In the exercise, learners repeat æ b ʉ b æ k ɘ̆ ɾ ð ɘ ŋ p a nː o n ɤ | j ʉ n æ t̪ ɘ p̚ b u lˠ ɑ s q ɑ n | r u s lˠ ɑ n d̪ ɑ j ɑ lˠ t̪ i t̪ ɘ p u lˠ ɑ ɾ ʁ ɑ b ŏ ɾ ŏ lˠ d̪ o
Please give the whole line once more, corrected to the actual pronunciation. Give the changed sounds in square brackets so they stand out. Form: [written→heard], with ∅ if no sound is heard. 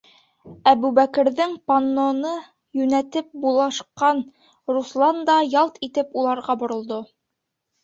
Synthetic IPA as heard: æ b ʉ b æ k ɘ̆ ɾ ð ɘ ŋ p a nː o n ɤ | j ʉ n æ t̪ ɘ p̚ b u lˠ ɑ [s→ʃ] q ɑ n | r u s lˠ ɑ n d̪ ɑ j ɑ lˠ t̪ i t̪ ɘ p u lˠ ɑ ɾ ʁ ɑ b ŏ ɾ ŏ lˠ d̪ o